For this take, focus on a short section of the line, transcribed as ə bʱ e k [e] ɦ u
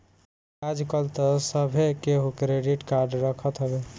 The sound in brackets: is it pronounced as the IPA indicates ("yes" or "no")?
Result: yes